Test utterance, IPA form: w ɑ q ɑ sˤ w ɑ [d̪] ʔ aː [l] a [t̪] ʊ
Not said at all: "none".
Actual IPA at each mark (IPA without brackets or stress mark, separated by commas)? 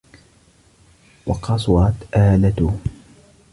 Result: t̪, l, t̪